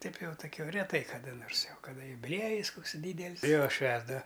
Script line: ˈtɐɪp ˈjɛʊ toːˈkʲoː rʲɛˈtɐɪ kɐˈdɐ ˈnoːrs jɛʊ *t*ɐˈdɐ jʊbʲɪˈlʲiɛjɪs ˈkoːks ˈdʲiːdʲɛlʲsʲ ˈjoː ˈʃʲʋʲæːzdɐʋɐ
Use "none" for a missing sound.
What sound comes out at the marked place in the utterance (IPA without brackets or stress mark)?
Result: k